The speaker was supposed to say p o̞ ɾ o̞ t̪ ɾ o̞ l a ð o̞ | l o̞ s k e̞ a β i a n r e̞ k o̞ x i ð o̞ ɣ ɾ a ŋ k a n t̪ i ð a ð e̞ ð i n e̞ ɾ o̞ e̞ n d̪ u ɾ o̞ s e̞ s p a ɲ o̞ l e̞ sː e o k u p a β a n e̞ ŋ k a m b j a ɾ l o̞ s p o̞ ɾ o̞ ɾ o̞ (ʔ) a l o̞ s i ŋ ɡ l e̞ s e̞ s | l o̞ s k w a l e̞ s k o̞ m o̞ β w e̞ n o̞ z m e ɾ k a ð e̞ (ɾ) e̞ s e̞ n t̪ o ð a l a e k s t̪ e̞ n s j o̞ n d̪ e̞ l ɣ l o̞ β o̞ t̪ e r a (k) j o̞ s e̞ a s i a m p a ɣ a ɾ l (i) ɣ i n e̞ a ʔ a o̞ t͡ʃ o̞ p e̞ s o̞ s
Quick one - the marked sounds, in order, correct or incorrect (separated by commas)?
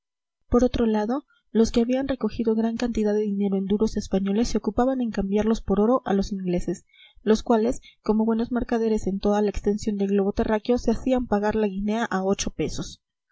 correct, correct, correct, incorrect